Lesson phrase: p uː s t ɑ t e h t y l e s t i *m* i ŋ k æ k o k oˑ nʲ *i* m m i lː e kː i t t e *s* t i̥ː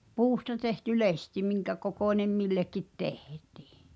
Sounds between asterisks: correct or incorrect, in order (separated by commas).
correct, incorrect, incorrect